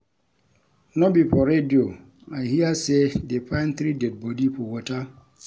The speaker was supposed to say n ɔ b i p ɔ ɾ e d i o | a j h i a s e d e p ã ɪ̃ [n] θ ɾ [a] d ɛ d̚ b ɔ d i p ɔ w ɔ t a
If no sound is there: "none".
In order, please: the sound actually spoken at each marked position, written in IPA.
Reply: n, i

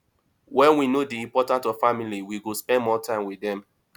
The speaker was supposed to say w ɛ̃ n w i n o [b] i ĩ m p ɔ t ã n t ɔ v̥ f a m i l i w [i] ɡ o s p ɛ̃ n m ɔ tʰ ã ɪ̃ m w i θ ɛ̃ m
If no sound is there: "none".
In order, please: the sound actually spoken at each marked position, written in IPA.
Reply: d, i

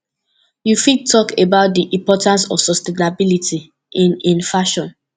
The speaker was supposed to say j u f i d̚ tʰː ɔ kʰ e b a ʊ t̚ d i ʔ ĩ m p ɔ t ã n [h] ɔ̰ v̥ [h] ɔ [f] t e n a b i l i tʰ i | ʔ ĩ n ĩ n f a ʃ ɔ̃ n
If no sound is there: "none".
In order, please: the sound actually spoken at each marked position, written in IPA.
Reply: s, s, s

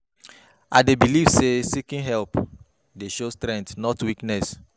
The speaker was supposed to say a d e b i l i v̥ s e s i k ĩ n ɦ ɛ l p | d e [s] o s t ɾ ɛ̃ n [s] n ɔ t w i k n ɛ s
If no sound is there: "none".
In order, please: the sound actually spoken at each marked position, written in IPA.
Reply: ʃ, t

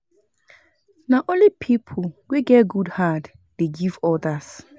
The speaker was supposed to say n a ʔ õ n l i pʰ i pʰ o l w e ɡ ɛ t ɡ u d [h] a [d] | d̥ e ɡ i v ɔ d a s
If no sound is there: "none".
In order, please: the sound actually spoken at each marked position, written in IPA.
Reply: h, d

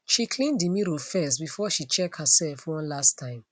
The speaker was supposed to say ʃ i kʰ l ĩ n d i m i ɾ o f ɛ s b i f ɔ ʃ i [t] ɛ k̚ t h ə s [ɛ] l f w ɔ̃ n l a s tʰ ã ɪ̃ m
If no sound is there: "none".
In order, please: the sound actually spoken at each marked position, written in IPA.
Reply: t͡ʃ, ɛ

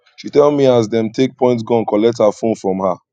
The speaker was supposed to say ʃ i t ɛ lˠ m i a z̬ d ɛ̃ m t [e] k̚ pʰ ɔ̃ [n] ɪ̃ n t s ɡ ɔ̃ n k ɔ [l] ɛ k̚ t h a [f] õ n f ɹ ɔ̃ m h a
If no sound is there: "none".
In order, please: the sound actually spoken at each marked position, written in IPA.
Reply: e, none, l, f

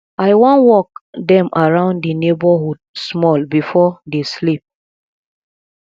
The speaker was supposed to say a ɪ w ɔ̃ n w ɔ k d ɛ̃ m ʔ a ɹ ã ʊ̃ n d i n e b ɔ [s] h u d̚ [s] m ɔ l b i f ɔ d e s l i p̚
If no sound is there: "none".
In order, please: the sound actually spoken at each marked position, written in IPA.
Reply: none, s

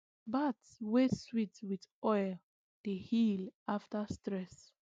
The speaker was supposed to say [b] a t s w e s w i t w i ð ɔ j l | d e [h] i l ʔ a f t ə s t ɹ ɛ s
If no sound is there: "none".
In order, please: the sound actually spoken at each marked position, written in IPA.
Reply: b, h

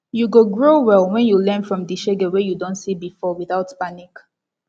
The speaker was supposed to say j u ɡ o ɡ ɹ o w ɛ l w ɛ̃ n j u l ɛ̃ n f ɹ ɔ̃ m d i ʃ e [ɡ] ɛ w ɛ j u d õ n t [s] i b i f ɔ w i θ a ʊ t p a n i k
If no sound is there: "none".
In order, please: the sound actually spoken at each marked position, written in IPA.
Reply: ɡ, s

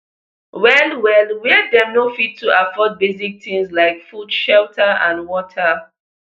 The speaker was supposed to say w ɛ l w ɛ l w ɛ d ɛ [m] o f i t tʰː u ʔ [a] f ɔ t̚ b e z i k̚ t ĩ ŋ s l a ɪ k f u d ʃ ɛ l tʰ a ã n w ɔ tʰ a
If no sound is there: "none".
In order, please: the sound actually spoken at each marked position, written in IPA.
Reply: n, a

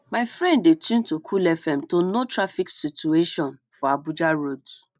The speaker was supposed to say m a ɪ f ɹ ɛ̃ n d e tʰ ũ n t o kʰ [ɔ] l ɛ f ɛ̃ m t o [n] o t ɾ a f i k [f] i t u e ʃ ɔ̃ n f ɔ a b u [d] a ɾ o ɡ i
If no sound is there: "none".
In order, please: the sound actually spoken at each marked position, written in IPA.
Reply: u, n, s, d͡ʒ

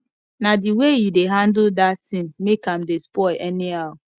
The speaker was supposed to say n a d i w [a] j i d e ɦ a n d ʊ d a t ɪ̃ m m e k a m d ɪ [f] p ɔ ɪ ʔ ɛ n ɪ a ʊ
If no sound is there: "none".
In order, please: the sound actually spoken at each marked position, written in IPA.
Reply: e, s

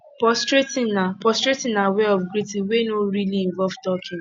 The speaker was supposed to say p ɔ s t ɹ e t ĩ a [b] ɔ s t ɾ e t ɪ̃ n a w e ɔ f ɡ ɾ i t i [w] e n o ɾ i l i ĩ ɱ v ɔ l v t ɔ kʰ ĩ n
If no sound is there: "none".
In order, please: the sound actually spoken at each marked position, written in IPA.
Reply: p, w

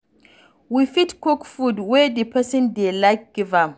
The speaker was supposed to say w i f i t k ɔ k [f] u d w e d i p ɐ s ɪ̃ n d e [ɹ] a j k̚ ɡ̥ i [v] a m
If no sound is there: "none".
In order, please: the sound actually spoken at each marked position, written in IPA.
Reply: f, l, v

